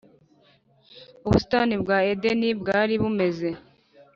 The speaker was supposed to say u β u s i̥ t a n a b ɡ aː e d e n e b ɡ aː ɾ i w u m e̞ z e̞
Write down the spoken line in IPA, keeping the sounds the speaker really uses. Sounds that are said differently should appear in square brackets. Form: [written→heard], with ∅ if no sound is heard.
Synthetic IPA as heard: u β u s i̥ t a n [a→i] b ɡ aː e d e n [e→i] b ɡ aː ɾ i [w→β] u m e̞ z e̞